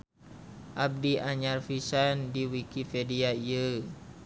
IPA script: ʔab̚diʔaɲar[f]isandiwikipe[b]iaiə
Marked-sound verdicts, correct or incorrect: correct, incorrect: d

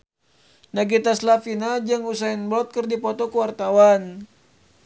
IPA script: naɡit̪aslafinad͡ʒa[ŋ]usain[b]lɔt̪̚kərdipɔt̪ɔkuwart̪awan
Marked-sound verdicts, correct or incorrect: correct, correct

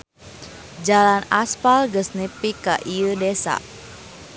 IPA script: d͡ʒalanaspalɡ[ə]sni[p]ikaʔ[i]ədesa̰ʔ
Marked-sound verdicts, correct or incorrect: correct, correct, correct

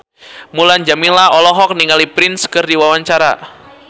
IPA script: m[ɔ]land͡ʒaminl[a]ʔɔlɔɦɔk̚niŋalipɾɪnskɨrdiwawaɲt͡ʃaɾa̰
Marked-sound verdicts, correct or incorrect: incorrect: u, correct

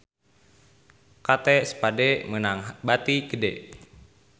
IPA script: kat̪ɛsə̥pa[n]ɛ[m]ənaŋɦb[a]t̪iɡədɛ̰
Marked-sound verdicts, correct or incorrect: incorrect: d, correct, correct

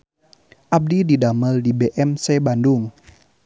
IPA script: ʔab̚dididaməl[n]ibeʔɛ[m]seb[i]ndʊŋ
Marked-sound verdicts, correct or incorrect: incorrect: d, correct, incorrect: a

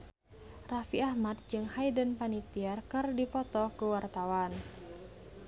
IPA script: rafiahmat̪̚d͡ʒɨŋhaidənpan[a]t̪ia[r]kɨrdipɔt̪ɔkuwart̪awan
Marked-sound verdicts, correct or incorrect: incorrect: i, correct

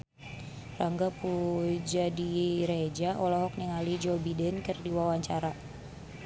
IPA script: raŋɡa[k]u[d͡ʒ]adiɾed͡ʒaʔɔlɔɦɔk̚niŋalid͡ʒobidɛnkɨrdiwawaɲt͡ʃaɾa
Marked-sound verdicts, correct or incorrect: incorrect: p, correct

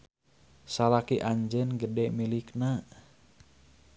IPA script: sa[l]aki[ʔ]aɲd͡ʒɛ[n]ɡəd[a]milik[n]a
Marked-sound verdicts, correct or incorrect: correct, correct, correct, incorrect: ɛ, correct

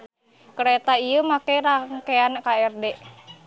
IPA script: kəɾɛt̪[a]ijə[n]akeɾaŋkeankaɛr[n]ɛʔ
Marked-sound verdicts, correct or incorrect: correct, incorrect: m, incorrect: d

